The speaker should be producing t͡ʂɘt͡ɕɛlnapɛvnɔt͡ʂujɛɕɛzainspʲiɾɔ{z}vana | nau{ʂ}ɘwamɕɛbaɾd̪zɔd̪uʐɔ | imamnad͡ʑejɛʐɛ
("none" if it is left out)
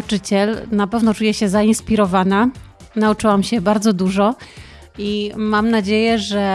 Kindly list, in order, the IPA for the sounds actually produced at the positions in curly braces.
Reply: none, t͡ʂ

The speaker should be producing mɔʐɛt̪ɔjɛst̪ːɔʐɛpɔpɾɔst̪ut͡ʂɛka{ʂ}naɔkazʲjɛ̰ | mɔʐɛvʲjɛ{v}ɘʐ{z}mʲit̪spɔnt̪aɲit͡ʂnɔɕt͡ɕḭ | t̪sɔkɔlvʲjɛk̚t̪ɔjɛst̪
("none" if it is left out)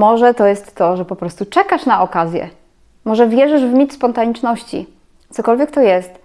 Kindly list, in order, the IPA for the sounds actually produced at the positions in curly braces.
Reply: ʂ, ʐ, v

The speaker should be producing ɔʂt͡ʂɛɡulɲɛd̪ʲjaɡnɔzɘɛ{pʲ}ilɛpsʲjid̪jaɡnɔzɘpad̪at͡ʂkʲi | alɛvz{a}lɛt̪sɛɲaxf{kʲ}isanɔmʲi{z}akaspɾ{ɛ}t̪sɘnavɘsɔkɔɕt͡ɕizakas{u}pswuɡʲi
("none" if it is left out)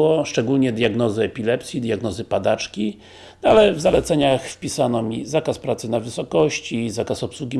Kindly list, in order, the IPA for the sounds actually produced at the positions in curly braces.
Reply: pʲ, a, pʲ, z, a, ɔ

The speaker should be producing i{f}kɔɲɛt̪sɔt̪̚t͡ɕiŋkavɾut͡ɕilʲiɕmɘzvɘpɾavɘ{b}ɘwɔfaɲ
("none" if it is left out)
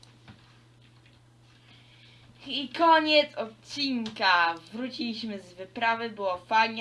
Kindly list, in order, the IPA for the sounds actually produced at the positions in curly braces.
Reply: none, b

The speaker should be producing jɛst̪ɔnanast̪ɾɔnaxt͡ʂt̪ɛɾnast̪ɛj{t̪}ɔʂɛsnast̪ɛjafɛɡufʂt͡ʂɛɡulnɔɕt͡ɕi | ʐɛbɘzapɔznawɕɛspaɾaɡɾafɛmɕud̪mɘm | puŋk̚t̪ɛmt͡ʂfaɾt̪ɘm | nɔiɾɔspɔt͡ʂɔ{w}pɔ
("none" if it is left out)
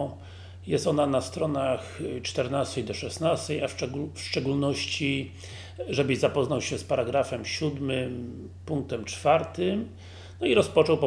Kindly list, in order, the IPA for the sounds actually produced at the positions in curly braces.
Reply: d̪, w

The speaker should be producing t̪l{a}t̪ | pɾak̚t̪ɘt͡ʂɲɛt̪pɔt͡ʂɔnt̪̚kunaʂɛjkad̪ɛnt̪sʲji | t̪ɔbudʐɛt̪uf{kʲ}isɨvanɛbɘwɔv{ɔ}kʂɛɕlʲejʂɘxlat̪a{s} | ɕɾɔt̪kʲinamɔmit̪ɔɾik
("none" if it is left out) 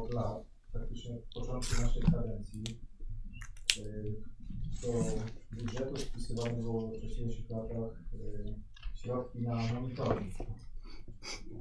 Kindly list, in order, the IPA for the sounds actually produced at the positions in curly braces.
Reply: a, pʲ, ɔ, x

